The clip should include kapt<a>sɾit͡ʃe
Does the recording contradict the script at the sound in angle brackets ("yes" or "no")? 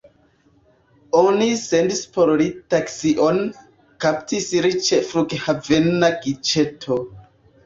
yes